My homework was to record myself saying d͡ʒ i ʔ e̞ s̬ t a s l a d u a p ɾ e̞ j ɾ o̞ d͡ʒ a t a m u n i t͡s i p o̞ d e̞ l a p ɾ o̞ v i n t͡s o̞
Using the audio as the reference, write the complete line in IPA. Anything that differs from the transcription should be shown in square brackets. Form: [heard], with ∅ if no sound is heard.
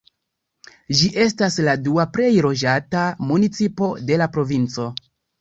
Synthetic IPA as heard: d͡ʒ i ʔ e̞ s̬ t a s l a d u a p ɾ e̞ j ɾ o̞ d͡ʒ a t a m u n i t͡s i p o̞ d e̞ l a p ɾ o̞ v i n t͡s o̞